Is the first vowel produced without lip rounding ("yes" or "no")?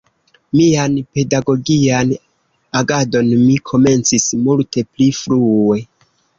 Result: yes